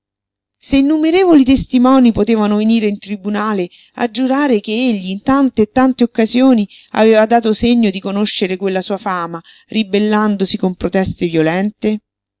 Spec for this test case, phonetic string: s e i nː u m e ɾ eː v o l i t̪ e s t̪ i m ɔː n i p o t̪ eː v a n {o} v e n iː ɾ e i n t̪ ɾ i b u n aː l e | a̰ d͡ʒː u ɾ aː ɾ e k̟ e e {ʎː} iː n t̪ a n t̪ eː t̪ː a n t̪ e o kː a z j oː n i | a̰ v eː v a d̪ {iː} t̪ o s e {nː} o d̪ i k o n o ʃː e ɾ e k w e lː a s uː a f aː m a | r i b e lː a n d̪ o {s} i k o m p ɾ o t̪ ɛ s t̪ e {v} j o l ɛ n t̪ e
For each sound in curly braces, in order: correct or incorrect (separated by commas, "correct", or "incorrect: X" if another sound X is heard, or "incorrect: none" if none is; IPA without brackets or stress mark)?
correct, correct, incorrect: aː, incorrect: ɲː, correct, correct